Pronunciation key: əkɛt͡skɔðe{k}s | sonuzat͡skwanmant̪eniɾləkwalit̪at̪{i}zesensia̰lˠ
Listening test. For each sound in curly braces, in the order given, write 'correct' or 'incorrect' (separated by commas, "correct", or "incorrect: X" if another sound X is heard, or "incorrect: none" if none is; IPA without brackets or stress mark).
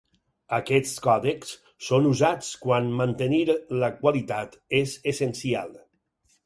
correct, incorrect: e